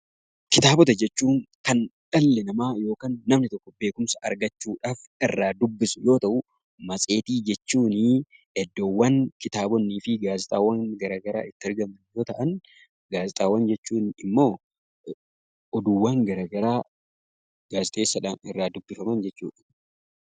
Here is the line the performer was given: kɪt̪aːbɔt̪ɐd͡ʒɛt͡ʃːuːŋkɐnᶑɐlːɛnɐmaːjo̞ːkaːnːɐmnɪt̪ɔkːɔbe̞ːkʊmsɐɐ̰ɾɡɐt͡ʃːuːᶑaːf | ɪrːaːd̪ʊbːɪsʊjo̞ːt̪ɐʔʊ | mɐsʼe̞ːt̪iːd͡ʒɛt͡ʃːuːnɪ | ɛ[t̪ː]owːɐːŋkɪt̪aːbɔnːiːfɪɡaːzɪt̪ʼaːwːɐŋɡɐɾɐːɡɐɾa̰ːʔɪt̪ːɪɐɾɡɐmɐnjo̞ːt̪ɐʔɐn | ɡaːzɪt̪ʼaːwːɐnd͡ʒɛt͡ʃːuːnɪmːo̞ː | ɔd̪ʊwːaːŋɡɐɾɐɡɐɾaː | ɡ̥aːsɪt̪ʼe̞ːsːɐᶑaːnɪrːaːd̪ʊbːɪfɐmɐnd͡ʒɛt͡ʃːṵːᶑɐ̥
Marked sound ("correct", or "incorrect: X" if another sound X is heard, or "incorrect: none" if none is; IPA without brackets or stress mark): incorrect: d̪ː